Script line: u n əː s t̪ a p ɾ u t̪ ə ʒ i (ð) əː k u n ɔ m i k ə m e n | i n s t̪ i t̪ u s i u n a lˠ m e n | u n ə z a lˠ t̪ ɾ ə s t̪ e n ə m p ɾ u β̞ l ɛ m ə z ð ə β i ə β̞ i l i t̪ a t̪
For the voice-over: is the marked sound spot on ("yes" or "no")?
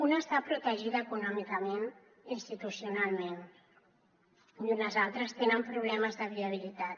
yes